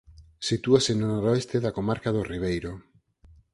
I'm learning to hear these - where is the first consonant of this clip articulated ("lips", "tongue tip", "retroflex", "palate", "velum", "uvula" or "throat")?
tongue tip